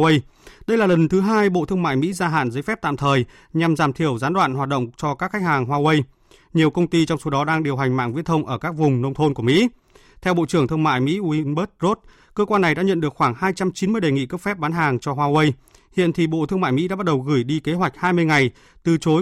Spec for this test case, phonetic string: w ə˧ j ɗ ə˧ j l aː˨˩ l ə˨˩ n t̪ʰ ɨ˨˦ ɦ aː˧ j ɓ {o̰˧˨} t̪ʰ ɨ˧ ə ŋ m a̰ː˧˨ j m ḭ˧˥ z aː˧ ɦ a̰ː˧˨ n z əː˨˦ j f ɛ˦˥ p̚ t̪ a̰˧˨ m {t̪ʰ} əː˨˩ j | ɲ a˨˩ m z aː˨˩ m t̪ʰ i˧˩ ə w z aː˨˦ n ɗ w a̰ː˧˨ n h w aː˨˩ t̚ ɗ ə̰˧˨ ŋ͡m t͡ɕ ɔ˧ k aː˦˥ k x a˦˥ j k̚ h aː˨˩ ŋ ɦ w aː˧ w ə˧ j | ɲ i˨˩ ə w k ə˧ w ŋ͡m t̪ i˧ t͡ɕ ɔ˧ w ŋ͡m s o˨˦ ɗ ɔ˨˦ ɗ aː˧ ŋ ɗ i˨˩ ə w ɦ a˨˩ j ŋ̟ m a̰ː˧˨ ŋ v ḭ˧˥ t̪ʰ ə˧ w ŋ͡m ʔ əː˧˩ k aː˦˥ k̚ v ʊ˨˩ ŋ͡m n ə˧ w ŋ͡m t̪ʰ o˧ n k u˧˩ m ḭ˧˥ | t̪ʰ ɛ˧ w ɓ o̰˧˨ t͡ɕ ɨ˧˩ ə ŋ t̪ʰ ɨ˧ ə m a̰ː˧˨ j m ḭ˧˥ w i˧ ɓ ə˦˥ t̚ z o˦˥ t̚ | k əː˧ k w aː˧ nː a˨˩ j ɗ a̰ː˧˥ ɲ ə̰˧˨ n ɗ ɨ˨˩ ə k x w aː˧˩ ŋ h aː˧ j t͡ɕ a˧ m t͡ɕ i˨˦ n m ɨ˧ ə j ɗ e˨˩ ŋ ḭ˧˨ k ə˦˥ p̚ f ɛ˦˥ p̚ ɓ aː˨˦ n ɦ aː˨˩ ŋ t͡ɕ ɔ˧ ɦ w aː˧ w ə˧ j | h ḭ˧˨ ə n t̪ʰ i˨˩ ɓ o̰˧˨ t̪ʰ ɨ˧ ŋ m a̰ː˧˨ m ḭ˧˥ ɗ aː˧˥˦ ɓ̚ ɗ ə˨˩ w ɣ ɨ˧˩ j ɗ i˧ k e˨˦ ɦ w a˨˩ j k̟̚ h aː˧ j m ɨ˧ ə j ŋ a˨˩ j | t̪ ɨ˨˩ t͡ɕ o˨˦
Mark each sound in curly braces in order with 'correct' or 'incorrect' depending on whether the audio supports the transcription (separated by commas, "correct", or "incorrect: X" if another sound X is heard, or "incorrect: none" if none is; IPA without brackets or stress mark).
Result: correct, correct